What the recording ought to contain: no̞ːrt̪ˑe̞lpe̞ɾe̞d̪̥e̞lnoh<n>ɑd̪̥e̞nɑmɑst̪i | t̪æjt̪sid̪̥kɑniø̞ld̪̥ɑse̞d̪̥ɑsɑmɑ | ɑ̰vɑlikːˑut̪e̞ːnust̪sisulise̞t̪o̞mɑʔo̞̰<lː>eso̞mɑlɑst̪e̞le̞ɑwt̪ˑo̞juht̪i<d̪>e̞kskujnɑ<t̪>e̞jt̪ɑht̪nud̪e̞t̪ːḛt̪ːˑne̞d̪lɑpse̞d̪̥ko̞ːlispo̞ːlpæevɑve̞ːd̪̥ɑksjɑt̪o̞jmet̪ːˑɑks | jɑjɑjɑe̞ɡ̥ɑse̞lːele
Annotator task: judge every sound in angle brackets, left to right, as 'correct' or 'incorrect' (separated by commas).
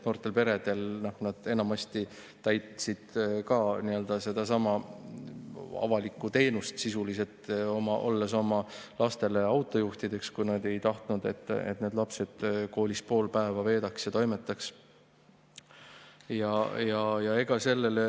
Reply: correct, correct, correct, incorrect